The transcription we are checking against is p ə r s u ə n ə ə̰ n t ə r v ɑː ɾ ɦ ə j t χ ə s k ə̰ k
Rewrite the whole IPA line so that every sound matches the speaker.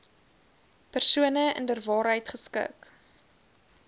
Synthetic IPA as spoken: p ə r s u ə n ə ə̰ n d ə r v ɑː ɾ ɦ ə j t χ ə s k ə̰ k